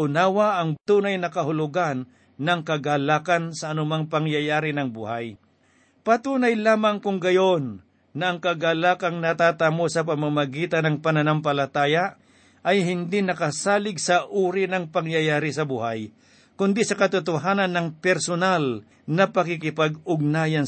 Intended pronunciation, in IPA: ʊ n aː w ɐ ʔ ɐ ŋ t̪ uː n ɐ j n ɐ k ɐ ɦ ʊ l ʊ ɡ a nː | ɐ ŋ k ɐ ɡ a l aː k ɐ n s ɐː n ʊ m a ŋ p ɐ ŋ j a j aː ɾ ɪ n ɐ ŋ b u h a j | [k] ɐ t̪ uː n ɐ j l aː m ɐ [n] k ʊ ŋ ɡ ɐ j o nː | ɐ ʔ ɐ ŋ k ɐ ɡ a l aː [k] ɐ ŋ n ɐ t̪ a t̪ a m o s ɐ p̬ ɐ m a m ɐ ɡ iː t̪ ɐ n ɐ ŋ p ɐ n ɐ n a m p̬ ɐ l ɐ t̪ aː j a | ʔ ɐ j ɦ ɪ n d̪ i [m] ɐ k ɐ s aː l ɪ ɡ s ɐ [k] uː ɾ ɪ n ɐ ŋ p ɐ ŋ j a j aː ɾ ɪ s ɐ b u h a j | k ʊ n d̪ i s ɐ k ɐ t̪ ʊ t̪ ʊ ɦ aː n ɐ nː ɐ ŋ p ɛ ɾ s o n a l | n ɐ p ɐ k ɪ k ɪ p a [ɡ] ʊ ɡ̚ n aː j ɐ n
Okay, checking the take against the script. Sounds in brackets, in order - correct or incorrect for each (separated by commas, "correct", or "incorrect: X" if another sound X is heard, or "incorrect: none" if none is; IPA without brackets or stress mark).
incorrect: p, incorrect: ŋ, correct, incorrect: n, incorrect: ʔ, correct